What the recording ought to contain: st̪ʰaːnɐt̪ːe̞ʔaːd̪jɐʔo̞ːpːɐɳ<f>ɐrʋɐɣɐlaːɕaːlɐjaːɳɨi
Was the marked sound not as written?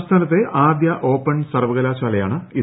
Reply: yes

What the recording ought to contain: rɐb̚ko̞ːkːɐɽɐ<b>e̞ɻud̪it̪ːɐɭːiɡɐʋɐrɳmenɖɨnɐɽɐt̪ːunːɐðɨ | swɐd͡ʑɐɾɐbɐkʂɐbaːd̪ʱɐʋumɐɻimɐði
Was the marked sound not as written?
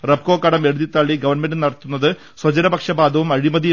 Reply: yes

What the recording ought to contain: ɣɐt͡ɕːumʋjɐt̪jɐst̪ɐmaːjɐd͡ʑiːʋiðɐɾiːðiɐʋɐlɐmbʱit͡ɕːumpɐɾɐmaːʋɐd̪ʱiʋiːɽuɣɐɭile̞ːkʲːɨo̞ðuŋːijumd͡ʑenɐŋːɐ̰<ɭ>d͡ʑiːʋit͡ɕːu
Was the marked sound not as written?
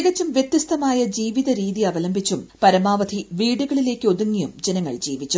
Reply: no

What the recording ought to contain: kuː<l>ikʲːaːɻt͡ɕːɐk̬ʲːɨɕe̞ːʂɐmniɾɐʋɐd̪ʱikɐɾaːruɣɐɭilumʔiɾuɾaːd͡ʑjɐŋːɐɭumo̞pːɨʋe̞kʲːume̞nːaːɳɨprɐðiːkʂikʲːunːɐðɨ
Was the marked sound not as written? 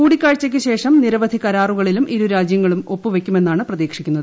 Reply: yes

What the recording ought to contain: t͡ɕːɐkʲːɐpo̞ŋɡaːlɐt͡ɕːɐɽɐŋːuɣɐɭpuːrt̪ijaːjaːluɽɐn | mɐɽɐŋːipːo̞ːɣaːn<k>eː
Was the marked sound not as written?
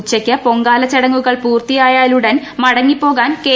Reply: no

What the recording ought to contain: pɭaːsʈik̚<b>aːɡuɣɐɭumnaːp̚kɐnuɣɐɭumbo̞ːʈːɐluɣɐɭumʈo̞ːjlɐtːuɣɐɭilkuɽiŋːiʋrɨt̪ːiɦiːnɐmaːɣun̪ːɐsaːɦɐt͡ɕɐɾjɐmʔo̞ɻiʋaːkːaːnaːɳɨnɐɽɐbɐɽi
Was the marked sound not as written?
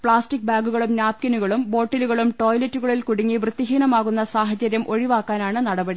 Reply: no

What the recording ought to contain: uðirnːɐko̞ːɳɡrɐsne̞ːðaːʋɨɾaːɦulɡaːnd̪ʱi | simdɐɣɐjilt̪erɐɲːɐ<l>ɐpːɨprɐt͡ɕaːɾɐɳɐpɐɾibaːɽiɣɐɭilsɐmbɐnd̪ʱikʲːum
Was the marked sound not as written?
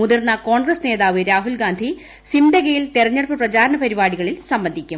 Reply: yes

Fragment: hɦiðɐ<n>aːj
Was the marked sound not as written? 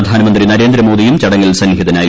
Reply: no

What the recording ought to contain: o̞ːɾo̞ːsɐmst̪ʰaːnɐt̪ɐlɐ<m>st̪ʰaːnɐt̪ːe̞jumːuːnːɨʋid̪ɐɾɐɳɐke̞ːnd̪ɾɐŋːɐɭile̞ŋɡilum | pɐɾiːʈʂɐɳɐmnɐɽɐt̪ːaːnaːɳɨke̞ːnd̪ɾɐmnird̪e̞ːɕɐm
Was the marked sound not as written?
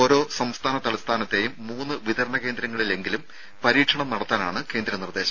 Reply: yes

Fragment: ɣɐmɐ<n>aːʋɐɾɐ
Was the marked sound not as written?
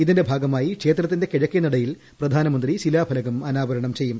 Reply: no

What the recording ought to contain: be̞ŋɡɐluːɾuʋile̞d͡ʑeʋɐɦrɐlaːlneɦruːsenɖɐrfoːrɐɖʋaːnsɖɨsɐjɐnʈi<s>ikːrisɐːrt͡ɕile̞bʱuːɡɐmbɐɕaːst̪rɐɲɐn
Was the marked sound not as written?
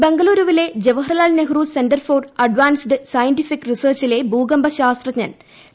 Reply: yes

